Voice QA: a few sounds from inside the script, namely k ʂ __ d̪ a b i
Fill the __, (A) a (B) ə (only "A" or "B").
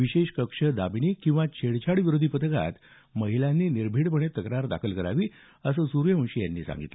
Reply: B